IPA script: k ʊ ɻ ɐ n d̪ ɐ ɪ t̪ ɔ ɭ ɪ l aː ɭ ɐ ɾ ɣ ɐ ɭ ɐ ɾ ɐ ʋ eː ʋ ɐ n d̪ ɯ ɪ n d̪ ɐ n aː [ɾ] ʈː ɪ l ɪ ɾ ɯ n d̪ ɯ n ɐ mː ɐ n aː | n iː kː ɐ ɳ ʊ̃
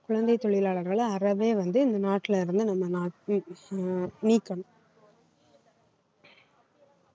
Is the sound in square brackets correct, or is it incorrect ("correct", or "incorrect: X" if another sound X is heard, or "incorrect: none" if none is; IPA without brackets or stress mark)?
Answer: incorrect: none